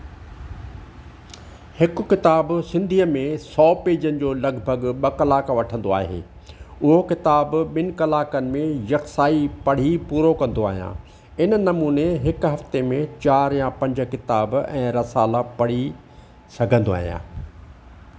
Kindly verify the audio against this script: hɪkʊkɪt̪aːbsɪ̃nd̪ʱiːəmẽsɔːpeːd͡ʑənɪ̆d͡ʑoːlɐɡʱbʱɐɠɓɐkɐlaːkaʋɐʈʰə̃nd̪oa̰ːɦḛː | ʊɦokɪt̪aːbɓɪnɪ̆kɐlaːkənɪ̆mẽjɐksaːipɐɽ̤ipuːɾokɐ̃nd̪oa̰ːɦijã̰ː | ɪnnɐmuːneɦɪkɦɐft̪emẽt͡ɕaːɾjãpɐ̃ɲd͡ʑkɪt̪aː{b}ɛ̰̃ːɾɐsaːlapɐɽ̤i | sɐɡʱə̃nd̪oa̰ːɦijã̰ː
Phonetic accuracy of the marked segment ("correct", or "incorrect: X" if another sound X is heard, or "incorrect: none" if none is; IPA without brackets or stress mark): correct